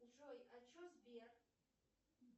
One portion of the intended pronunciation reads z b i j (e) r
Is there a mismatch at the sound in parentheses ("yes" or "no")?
yes